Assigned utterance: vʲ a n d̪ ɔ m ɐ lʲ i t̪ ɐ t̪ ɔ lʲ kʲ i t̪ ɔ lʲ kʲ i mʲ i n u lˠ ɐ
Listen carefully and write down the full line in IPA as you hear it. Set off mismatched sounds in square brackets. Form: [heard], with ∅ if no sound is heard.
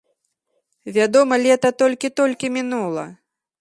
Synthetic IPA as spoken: vʲ a [∅] d̪ ɔ m ɐ lʲ [ɛ] t̪ ɐ t̪ ɔ lʲ kʲ i t̪ ɔ lʲ kʲ i mʲ i n u lˠ ɐ

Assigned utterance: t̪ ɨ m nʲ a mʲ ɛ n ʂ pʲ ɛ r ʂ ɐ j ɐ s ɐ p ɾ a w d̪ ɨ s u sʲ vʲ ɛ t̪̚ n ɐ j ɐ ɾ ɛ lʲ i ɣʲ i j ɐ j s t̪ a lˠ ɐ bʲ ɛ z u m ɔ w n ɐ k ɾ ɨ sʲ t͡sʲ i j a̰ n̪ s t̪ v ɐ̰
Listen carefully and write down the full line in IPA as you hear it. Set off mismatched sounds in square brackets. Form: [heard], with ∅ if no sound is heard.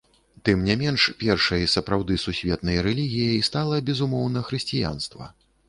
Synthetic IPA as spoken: t̪ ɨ m nʲ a mʲ ɛ n ʂ pʲ ɛ r ʂ ɐ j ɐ s ɐ p ɾ a w d̪ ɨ s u sʲ vʲ ɛ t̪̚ n ɐ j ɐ ɾ ɛ lʲ i ɣʲ i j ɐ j s t̪ a lˠ ɐ bʲ ɛ z u m ɔ w n ɐ [x] ɾ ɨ sʲ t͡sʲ i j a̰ n̪ s t̪ v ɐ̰

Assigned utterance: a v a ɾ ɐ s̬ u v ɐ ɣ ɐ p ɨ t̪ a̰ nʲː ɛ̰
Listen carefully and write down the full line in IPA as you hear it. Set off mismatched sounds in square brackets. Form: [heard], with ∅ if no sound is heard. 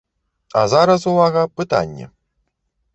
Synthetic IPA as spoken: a [z] a ɾ ɐ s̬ u v [a] ɣ ɐ p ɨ t̪ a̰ nʲː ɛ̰

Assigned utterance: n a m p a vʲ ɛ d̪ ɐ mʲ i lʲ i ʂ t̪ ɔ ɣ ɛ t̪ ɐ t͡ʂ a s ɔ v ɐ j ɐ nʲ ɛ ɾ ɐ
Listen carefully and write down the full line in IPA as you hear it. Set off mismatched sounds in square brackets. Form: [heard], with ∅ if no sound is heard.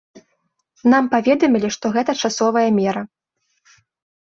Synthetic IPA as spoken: n a m p a vʲ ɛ d̪ ɐ mʲ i lʲ i ʂ t̪ ɔ ɣ ɛ t̪ ɐ t͡ʂ a s ɔ v ɐ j ɐ [mʲ] ɛ ɾ ɐ

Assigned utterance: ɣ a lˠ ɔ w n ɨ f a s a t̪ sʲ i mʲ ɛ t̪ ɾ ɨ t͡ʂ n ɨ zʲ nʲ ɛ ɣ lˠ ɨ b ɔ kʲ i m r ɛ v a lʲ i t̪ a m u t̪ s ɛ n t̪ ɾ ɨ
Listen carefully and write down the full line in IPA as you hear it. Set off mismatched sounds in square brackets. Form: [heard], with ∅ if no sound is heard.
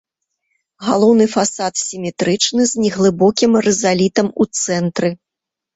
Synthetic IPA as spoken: ɣ a lˠ ɔ w n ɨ f a s a t̪ sʲ i mʲ ɛ t̪ ɾ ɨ t͡ʂ n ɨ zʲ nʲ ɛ ɣ lˠ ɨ b ɔ kʲ i m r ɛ [z] a lʲ i t̪ [ɐ] m u t̪ s ɛ n t̪ ɾ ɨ

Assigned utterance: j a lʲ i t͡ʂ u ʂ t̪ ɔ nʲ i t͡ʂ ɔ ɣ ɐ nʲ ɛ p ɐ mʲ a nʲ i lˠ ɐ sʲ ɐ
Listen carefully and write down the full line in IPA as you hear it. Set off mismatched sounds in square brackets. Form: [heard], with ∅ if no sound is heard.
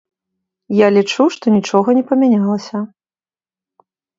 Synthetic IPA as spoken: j a lʲ i t͡ʂ u ʂ t̪ ɔ nʲ i t͡ʂ ɔ ɣ ɐ nʲ ɛ p ɐ mʲ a nʲ [a] lˠ ɐ sʲ ɐ

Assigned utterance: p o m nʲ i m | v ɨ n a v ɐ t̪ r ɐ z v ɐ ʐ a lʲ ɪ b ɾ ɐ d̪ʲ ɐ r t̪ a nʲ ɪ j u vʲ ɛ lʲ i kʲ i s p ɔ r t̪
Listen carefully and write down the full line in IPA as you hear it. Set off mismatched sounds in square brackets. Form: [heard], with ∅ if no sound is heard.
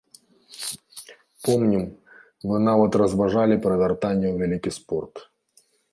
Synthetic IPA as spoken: p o m nʲ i m | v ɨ n a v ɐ t̪ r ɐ z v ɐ ʐ a lʲ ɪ [p] ɾ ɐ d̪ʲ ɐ r t̪ a nʲ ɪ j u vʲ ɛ lʲ i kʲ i s p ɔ r t̪

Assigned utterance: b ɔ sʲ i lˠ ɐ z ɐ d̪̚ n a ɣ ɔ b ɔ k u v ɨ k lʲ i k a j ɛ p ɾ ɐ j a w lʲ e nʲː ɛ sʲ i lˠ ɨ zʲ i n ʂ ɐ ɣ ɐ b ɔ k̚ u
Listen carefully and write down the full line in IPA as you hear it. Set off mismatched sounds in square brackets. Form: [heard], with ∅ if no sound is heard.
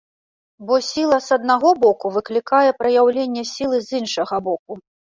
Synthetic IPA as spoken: b ɔ sʲ i lˠ ɐ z ɐ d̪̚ n a ɣ ɔ b ɔ k u v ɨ k lʲ i k a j ɛ p ɾ ɐ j a w lʲ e nʲː ɛ sʲ i lˠ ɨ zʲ i n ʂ ɐ ɣ ɐ b ɔ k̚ u

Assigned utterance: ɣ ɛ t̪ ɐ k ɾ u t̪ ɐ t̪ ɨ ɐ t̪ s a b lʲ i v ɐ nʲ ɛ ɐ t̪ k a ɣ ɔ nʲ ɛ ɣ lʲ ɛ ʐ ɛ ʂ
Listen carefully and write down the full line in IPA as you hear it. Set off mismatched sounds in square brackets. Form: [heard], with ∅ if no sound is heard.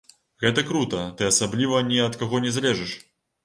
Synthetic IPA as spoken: ɣ ɛ t̪ ɐ k ɾ u t̪ ɐ t̪ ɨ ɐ [∅] s a b lʲ i v ɐ nʲ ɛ ɐ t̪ k a ɣ ɔ nʲ ɛ [z] lʲ ɛ ʐ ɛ ʂ

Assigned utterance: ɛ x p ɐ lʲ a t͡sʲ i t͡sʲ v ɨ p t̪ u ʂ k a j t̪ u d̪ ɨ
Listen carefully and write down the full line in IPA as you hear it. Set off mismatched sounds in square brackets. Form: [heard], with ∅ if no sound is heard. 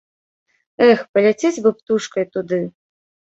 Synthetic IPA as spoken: ɛ x p ɐ lʲ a t͡sʲ [e] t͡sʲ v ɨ p t̪ u ʂ k [ɐ] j t̪ u d̪ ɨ

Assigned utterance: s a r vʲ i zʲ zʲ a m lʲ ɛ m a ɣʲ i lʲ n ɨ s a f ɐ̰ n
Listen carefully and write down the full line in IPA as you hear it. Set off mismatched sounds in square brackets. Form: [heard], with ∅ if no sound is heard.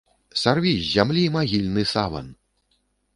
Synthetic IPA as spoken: s a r vʲ i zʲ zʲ a m lʲ [i] m a ɣʲ i lʲ n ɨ s a [v] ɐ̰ n

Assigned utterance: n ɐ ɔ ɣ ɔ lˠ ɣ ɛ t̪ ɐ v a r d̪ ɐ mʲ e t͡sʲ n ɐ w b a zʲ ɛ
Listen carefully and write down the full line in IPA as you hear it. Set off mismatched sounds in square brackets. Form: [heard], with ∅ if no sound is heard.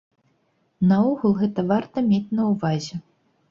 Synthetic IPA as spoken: n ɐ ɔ ɣ [u] lˠ ɣ ɛ t̪ ɐ v a r [t̪] ɐ mʲ e t͡sʲ n ɐ w [v] a zʲ ɛ

